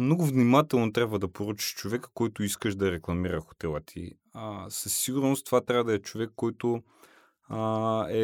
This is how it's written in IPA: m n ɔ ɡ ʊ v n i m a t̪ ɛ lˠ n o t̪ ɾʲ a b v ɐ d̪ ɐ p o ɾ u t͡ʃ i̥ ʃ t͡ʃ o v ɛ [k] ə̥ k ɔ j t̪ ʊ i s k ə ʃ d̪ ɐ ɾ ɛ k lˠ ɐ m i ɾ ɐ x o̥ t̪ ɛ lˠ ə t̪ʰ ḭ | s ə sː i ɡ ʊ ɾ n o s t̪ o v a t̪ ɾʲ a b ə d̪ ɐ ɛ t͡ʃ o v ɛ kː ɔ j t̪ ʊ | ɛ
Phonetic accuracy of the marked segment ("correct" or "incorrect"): correct